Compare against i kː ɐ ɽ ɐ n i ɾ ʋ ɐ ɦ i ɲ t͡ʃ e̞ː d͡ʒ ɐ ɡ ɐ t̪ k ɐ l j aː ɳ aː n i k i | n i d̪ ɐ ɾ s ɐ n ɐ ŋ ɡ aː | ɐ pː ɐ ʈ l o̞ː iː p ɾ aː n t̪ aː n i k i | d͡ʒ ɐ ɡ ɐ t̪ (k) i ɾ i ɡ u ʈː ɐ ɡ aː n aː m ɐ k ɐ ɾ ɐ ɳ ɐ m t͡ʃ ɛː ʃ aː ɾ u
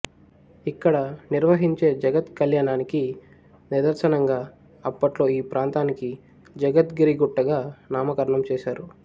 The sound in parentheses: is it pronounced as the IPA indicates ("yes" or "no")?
no